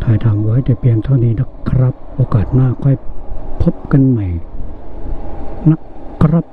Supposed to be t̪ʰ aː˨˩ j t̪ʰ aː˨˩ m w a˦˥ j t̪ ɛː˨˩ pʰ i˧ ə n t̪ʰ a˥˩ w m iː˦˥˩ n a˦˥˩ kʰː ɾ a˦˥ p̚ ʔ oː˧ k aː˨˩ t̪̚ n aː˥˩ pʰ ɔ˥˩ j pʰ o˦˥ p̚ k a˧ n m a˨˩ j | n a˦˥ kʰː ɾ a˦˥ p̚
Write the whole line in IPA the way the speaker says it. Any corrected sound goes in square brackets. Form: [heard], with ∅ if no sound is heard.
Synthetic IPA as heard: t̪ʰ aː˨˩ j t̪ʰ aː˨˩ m w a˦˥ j t̪ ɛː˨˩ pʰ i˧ ə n t̪ʰ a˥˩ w [n] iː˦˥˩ n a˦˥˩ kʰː ɾ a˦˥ p̚ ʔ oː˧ k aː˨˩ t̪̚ n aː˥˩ [kʰ] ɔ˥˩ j pʰ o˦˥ p̚ k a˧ n m a˨˩ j | n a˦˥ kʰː ɾ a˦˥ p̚